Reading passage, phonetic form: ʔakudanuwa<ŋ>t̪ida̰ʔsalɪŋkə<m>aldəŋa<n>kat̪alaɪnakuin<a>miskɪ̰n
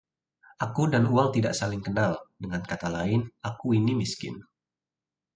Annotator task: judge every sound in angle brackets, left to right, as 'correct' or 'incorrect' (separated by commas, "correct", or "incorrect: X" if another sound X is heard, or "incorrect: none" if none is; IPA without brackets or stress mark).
correct, incorrect: n, correct, incorrect: i